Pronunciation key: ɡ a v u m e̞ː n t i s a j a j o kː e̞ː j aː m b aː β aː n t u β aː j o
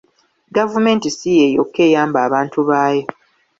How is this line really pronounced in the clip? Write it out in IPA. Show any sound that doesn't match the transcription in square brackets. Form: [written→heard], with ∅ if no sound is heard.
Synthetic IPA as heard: ɡ a v u m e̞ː n t i s [a→i] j [a→e] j o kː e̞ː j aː m b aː β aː n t u β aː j o